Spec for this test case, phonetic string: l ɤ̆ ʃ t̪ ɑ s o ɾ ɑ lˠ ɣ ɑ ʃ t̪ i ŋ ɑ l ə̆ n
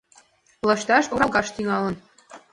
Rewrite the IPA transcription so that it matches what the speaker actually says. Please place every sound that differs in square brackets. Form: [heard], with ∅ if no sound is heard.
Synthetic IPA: l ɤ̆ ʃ t̪ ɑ [ʃ] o ɾ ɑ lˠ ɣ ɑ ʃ t̪ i ŋ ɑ l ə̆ n